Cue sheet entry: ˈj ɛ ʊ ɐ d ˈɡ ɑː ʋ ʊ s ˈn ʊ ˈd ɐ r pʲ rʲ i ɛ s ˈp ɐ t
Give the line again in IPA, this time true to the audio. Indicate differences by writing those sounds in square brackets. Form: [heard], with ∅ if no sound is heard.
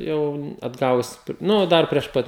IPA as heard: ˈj ɛ ʊ ɐ d ˈɡ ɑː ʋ ʊ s ˈn ʊ ˈd ɐ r pʲ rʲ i ɛ [ʃ] ˈp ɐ t